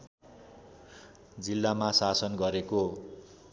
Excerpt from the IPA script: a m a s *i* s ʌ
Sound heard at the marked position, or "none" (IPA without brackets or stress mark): a